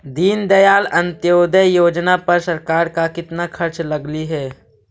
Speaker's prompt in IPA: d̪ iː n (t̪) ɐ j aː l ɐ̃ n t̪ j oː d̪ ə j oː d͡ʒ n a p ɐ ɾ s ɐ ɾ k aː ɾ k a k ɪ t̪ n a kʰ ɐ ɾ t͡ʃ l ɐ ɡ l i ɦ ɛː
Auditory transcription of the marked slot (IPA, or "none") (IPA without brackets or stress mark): d̪